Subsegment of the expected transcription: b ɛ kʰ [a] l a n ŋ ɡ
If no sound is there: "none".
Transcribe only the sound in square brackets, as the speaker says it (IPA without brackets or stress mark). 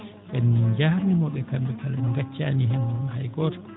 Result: a